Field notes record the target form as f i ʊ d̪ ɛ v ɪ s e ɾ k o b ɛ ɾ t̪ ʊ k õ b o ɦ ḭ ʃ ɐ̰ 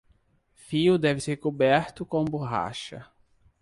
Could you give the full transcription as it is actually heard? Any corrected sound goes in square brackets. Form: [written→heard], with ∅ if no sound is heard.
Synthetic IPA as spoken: f i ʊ d̪ ɛ v ɪ s e ɾ k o b ɛ ɾ t̪ ʊ k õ b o ɦ [ḭ→a̰] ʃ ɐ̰